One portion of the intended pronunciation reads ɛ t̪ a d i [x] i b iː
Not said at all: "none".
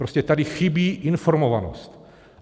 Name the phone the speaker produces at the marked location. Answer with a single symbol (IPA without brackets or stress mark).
x